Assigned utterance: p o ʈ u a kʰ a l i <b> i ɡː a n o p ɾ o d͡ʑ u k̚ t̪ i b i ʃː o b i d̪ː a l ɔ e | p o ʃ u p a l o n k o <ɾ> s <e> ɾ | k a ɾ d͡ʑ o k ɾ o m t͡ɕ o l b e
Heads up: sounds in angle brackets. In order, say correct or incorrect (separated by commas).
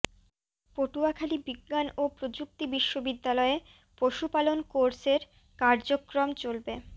correct, correct, correct